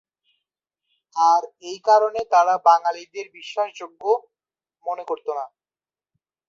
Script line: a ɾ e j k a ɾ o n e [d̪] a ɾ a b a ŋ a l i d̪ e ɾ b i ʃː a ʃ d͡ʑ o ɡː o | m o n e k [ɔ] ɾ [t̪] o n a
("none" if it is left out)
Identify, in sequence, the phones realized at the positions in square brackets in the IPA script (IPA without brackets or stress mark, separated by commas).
t̪, o, t̪